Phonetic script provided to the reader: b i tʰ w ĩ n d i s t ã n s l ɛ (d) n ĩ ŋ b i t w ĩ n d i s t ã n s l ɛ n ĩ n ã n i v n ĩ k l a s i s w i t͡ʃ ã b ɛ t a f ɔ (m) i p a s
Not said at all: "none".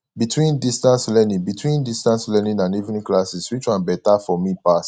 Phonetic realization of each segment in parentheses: none, m

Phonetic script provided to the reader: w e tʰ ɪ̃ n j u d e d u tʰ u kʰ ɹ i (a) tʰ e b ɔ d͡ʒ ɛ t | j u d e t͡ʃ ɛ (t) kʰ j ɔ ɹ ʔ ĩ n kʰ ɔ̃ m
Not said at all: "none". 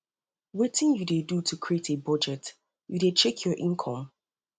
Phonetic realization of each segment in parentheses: e, none

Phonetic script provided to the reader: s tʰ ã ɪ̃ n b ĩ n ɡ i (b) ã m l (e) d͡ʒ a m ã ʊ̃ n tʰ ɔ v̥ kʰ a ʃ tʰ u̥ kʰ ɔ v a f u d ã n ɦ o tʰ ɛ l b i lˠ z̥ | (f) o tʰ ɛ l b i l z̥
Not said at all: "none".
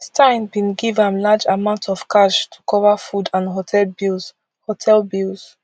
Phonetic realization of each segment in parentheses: v, a, h

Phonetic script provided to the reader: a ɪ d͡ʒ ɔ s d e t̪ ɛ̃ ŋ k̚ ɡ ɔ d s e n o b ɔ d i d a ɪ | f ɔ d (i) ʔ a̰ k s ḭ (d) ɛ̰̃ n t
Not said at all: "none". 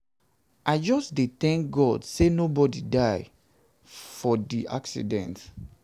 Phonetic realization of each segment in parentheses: i, d

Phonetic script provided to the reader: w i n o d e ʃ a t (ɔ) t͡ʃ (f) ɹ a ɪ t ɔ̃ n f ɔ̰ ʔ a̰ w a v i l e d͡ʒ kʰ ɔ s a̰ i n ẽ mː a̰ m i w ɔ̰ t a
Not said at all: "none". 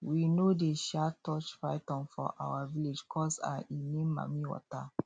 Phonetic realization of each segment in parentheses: ɔ, f

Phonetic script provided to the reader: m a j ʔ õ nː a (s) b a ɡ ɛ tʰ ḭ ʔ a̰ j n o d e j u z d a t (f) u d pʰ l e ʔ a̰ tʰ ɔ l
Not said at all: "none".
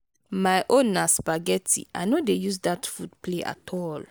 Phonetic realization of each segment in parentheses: s, f

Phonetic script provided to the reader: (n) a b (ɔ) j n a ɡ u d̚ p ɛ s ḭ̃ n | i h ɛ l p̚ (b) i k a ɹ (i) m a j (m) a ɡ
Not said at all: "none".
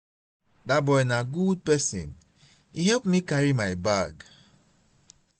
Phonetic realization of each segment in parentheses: d, ɔ, m, i, b

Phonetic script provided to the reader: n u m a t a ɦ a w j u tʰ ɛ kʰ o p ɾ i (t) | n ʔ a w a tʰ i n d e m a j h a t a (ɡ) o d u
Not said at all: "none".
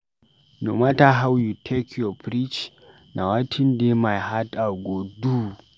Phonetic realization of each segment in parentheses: t͡ʃ, ɡ

